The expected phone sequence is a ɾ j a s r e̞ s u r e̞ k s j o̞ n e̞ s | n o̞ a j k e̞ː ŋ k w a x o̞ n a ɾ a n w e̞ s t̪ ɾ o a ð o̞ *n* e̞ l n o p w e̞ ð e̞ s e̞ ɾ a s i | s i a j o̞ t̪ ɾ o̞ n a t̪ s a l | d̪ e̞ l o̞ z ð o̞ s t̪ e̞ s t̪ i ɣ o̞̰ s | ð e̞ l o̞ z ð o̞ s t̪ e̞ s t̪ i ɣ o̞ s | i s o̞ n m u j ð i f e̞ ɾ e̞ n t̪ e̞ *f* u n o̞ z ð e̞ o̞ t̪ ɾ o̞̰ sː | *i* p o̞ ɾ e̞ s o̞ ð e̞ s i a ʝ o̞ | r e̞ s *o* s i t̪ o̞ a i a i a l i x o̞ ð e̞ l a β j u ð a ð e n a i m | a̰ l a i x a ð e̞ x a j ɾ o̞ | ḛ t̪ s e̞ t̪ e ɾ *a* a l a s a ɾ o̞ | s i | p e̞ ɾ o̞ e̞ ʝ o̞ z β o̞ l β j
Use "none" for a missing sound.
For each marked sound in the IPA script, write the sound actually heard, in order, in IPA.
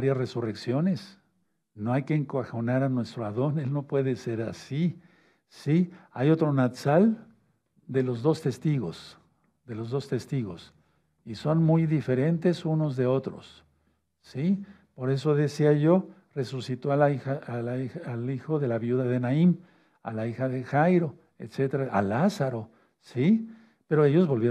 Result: n, s, i, u, a

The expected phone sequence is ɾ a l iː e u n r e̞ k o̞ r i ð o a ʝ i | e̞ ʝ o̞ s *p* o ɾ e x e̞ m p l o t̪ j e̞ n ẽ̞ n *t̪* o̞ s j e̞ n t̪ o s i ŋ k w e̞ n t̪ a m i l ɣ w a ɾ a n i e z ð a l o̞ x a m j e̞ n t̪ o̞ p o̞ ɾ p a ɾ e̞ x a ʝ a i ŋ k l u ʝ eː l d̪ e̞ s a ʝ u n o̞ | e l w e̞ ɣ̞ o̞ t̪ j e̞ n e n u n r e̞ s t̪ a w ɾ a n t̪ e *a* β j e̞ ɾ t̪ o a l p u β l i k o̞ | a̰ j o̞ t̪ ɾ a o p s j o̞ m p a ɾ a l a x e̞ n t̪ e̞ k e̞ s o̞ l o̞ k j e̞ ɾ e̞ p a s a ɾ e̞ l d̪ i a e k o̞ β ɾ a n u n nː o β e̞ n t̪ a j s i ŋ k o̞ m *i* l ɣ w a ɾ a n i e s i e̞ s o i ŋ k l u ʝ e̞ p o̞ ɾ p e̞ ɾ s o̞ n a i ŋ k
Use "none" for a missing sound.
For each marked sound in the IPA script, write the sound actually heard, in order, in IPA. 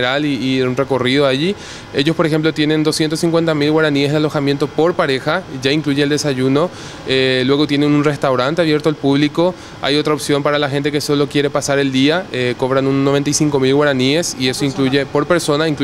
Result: p, d̪, a, i

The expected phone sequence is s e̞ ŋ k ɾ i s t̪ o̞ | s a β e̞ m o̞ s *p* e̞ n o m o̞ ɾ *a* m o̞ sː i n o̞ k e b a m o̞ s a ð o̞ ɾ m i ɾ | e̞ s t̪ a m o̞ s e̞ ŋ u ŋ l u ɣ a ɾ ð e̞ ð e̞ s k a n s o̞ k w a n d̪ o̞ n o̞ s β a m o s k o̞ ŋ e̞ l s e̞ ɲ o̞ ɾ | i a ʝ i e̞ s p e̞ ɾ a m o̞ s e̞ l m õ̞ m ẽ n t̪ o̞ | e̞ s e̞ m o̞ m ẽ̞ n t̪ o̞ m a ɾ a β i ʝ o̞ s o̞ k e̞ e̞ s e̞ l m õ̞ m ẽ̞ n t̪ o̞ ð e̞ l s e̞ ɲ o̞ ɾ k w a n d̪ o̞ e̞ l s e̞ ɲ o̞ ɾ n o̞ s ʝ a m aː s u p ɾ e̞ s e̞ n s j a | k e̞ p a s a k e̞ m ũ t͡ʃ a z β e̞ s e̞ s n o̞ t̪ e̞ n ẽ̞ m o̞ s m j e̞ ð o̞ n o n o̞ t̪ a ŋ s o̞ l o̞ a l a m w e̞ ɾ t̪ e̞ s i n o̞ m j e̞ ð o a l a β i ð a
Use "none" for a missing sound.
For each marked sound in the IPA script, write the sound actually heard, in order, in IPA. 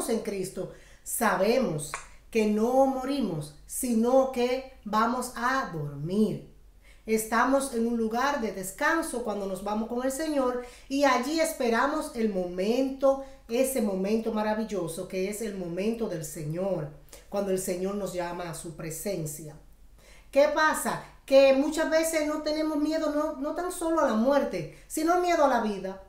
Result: k, i

